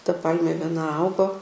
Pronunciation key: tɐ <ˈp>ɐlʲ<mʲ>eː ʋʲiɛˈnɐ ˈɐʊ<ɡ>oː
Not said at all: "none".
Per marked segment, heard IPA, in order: p, mʲ, ɡ

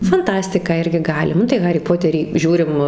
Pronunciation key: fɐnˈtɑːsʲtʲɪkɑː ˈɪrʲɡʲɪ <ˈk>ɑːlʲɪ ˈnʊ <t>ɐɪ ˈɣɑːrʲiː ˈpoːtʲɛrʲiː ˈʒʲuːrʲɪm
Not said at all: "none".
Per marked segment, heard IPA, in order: ɡ, t

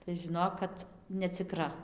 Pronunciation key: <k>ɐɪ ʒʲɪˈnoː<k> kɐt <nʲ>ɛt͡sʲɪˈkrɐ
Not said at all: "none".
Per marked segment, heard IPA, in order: t, k, nʲ

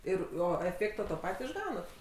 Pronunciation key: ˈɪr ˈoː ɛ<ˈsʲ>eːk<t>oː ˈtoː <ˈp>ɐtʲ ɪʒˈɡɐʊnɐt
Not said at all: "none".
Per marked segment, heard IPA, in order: fʲ, t, p

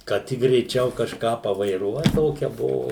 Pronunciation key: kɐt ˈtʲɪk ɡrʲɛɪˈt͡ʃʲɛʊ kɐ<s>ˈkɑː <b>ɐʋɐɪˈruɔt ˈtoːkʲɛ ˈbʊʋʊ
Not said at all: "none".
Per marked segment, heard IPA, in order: ʃ, p

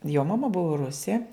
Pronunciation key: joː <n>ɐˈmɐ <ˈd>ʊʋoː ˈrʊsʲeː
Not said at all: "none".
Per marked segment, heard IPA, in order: m, b

